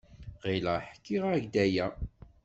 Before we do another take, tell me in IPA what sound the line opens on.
ʁ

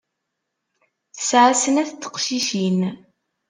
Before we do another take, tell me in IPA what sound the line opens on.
θ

